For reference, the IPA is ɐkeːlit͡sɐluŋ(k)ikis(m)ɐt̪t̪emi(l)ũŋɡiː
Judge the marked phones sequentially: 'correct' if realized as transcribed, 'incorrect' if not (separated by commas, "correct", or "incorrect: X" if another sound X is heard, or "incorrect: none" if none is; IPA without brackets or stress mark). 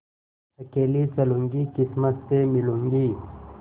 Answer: incorrect: ɡ, correct, correct